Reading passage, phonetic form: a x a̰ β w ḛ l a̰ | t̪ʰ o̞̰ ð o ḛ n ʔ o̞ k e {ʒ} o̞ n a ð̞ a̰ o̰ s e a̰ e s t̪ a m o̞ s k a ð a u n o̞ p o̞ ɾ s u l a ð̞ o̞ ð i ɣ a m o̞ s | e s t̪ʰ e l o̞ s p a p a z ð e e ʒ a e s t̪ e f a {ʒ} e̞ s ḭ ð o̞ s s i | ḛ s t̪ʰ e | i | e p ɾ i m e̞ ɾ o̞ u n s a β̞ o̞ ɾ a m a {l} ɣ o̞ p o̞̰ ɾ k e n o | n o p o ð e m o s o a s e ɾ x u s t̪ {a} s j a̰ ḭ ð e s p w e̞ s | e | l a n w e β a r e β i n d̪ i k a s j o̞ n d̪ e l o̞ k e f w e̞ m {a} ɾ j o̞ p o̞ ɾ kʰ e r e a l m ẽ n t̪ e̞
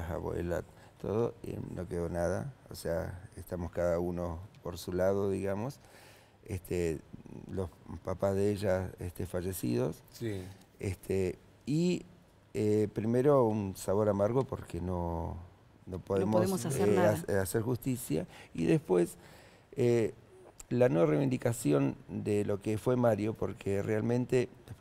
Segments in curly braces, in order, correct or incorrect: incorrect: ð, correct, incorrect: ɾ, incorrect: i, correct

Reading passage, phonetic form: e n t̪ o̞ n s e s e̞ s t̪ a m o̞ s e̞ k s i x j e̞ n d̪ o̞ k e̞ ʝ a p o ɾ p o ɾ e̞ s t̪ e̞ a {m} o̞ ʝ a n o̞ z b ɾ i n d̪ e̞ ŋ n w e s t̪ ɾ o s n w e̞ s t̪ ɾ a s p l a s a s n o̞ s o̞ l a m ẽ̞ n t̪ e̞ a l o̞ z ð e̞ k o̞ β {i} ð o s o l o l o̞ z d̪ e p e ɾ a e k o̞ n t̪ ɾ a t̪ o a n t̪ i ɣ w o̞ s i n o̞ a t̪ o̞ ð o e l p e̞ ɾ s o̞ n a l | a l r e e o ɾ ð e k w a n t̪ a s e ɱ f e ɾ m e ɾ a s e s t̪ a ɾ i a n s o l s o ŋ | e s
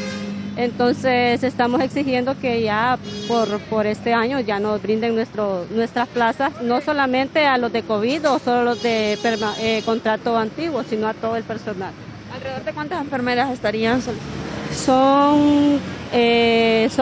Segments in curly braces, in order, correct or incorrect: incorrect: ɲ, correct

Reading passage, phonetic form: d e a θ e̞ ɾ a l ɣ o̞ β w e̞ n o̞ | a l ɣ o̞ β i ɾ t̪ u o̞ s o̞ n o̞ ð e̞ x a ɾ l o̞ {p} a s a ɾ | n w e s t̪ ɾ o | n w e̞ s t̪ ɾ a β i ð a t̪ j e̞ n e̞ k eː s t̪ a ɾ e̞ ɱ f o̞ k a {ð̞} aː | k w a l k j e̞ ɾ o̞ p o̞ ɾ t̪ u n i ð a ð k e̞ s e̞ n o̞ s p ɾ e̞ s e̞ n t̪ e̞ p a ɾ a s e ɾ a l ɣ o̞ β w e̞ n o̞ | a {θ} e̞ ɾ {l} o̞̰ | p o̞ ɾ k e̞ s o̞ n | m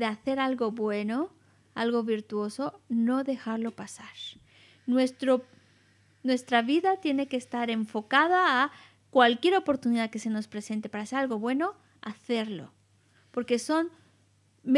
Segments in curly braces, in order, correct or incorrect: correct, correct, correct, correct

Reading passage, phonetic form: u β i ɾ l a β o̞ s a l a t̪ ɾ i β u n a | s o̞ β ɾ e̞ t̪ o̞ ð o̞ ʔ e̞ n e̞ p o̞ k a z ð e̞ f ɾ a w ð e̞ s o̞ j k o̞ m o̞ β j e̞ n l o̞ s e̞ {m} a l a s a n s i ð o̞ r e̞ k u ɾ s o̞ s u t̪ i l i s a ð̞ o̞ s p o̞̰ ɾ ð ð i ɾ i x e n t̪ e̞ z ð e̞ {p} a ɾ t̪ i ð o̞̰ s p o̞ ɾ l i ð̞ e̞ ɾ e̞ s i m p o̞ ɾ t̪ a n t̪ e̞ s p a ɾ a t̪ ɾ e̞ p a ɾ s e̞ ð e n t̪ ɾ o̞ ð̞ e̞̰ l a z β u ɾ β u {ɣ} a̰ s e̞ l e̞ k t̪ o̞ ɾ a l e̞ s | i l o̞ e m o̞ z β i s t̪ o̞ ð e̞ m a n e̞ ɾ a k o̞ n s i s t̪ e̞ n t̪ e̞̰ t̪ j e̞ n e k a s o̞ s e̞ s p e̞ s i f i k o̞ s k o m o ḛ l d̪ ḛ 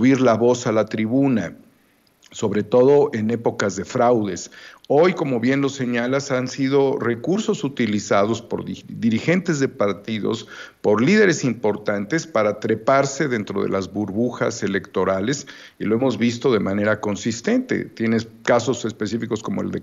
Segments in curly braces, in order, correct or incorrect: incorrect: ɲ, correct, incorrect: x

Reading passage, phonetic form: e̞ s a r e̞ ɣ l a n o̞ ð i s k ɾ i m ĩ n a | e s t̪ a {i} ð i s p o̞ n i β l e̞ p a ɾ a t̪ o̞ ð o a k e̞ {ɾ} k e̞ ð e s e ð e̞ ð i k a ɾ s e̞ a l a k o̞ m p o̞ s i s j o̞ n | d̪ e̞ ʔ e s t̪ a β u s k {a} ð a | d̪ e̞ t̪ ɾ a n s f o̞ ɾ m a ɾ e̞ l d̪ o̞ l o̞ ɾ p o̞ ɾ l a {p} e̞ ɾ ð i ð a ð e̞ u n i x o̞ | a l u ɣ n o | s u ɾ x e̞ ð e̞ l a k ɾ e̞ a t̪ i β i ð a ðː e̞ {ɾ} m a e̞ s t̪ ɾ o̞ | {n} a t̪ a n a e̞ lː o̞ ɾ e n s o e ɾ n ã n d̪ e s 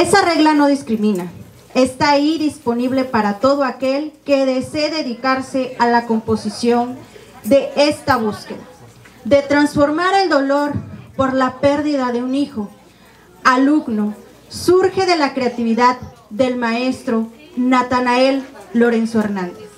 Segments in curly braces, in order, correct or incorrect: correct, incorrect: l, incorrect: e, correct, incorrect: l, correct

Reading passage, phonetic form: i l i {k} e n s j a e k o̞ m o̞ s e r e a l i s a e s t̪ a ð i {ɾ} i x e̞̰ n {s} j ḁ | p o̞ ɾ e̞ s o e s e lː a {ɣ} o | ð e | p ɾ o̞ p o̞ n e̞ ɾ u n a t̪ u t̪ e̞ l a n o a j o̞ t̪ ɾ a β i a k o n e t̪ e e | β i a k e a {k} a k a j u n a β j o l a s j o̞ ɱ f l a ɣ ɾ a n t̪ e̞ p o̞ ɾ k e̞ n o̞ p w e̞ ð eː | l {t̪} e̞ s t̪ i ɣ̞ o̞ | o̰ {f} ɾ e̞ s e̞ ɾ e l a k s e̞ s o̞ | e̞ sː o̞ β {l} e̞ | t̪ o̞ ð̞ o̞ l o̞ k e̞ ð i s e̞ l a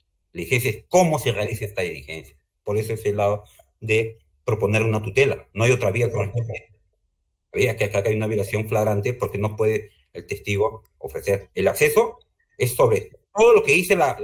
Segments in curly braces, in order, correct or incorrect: incorrect: x, incorrect: l, correct, incorrect: ð, correct, correct, correct, incorrect: ɾ

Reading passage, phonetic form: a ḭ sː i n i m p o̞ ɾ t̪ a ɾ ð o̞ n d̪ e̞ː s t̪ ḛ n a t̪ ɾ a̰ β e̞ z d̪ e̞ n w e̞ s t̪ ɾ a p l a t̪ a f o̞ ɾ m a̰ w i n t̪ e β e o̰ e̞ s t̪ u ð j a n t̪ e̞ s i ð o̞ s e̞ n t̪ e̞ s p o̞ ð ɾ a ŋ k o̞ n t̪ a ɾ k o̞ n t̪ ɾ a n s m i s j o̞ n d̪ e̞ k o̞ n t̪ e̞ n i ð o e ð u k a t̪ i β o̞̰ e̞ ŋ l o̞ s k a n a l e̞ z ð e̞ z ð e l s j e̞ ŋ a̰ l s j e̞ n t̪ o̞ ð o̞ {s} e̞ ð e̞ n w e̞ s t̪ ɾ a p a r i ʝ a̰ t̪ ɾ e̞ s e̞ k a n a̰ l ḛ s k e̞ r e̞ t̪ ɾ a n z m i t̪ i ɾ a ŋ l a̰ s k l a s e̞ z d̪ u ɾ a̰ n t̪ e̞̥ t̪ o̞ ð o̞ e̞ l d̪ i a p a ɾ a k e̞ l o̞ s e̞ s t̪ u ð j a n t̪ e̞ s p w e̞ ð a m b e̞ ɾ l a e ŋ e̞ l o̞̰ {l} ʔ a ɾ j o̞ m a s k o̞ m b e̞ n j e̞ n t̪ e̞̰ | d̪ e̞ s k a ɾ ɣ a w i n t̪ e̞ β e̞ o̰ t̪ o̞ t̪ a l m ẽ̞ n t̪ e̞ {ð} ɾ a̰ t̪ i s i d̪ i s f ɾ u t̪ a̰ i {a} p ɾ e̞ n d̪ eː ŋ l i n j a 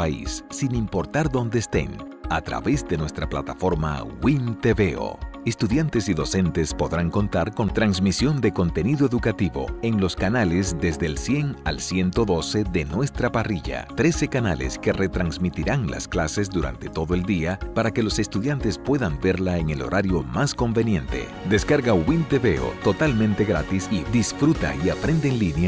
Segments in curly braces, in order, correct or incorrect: correct, incorrect: ɾ, incorrect: ɣ, correct

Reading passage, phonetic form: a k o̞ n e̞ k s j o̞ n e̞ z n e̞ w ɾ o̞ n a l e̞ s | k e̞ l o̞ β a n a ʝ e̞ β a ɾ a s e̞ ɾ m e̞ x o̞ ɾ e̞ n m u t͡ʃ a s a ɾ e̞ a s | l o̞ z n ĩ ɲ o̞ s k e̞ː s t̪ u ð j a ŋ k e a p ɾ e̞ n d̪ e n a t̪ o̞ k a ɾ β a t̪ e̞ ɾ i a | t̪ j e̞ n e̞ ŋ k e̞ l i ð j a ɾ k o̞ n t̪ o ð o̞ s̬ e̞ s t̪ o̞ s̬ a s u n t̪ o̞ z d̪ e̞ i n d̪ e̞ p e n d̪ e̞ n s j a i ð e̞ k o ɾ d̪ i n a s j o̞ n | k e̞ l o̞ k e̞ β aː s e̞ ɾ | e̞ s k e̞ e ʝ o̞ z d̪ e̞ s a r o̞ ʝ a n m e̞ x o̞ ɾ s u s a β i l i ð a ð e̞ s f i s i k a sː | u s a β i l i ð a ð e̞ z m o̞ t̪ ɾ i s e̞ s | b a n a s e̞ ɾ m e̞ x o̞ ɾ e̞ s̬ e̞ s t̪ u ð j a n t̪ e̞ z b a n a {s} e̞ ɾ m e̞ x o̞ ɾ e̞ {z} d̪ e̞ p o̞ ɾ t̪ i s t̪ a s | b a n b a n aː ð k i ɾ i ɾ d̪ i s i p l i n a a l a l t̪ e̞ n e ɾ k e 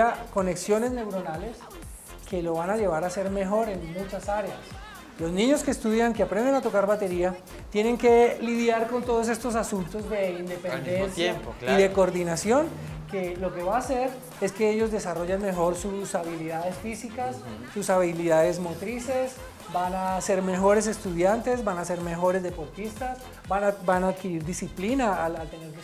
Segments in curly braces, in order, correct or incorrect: correct, correct

